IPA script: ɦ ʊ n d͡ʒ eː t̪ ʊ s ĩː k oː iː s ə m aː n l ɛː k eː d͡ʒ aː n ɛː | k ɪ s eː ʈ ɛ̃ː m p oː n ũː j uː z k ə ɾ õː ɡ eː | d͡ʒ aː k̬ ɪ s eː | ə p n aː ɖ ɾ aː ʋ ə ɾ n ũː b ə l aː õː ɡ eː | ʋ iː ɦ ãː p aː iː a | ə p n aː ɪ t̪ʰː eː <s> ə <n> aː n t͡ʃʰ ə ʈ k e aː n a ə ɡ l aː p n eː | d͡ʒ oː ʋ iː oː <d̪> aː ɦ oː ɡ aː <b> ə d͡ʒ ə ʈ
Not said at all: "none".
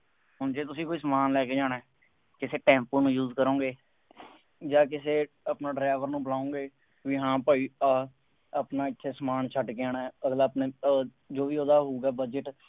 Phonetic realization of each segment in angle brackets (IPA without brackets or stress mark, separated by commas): s, m, d̪, b